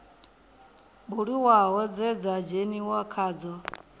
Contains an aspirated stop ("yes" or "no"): yes